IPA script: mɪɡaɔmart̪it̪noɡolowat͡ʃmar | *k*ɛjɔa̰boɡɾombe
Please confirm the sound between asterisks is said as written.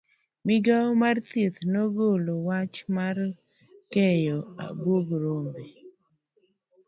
yes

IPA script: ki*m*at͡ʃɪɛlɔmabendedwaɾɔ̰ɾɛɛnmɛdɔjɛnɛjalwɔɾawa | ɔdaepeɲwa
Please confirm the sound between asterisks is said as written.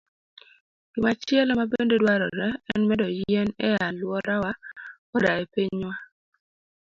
yes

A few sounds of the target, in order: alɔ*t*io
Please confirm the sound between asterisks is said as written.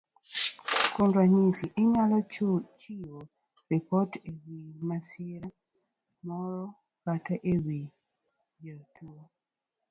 no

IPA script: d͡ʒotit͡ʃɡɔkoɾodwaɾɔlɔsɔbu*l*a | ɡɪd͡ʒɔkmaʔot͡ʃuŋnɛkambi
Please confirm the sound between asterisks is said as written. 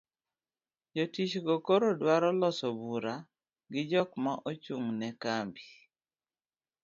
no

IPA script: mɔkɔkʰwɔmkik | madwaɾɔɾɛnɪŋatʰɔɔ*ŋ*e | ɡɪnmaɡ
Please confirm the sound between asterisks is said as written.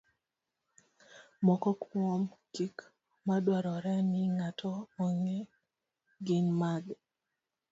yes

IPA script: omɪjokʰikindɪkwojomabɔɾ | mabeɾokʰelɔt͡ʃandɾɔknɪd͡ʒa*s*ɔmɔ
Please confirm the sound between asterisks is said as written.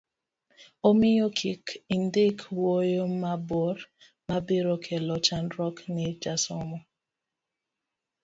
yes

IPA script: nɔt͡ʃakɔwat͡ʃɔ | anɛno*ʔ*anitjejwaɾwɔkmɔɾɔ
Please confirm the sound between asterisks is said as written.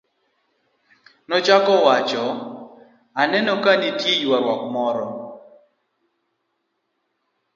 no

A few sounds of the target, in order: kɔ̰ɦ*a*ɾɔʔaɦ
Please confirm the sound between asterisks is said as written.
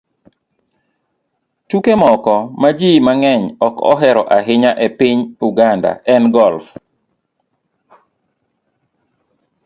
no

